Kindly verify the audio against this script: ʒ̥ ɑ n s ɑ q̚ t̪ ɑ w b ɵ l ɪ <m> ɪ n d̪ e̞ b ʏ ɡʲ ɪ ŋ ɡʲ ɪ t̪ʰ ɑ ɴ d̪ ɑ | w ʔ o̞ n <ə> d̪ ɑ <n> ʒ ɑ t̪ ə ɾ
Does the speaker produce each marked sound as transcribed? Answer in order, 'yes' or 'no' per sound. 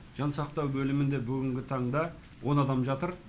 yes, no, no

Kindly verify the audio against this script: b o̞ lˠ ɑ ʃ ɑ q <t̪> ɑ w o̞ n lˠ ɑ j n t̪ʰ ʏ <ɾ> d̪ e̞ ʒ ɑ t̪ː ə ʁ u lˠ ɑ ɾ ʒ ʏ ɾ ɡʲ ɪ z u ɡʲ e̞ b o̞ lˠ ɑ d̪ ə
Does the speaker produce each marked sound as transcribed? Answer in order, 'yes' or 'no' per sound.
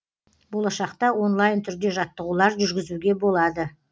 yes, yes

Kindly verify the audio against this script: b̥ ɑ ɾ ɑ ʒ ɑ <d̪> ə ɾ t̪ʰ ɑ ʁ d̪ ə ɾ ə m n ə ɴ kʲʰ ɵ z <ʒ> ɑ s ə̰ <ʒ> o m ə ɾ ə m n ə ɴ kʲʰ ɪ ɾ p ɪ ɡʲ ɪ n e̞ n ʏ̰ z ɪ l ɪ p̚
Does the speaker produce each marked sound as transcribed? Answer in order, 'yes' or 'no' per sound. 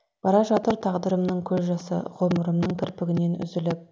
no, yes, no

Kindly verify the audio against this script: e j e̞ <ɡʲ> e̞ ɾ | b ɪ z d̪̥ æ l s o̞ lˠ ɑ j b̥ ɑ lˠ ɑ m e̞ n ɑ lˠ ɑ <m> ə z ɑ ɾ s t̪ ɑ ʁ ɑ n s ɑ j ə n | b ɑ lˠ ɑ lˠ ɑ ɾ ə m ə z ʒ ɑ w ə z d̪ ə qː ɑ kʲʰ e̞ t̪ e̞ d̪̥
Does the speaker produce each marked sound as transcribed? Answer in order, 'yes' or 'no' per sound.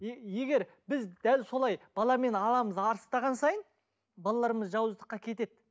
yes, yes

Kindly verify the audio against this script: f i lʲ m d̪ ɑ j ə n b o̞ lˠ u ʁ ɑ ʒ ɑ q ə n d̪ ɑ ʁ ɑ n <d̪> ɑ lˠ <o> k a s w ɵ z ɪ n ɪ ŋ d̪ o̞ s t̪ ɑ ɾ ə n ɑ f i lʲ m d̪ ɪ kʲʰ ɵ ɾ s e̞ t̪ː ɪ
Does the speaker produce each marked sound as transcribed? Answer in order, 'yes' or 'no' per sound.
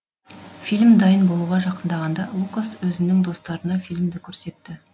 yes, no

